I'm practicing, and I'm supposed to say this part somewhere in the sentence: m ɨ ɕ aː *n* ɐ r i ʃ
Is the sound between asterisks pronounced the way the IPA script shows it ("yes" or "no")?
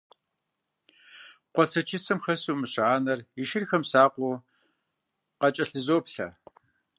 yes